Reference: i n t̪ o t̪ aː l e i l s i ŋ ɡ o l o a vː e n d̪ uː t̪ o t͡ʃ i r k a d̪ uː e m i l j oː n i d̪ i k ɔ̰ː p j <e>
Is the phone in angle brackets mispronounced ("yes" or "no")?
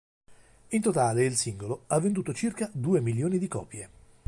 no